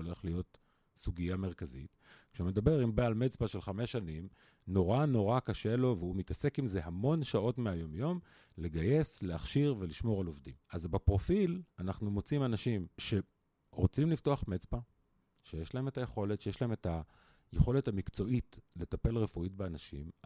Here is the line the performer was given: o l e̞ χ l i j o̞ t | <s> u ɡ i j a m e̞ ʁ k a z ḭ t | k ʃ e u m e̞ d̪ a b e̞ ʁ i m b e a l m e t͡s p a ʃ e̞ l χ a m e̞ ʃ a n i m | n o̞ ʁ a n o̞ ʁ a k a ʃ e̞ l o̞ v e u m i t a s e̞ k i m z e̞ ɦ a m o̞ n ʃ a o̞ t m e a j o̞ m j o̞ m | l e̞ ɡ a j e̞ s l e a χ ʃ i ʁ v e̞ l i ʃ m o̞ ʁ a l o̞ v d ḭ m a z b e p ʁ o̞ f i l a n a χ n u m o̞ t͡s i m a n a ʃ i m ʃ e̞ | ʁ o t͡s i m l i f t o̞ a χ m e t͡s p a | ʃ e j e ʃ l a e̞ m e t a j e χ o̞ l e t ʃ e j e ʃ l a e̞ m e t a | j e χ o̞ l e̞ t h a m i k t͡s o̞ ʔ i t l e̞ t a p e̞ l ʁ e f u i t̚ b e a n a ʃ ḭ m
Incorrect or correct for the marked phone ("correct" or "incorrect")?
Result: correct